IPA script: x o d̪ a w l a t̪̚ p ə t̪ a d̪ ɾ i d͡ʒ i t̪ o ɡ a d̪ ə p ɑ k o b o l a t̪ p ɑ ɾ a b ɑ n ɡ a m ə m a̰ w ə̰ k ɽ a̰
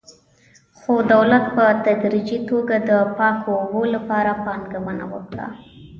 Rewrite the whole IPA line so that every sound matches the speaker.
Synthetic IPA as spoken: x o d̪ a w l a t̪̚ p ə t̪ a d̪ ɾ i d͡ʒ i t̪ o ɡ a d̪ ə p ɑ k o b o l a p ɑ ɾ a p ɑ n ɡ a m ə n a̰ w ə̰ k ɽ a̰